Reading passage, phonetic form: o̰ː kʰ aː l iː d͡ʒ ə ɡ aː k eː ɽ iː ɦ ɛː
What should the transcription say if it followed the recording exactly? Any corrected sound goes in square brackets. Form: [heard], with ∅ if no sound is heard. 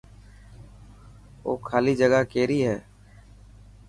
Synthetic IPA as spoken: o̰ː kʰ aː l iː d͡ʒ ə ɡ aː k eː [ɾ] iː ɦ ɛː